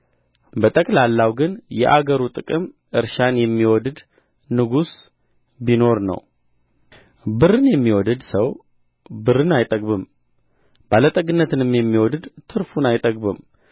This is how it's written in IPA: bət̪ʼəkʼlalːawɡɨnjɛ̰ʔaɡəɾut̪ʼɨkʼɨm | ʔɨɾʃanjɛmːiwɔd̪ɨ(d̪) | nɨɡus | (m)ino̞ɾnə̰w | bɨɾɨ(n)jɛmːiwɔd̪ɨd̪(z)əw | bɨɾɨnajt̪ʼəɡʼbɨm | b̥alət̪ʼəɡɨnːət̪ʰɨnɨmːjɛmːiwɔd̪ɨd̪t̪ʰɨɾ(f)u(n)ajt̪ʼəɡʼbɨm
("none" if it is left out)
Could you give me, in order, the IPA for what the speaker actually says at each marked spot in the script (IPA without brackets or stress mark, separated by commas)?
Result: d̪, b, n, s, f, n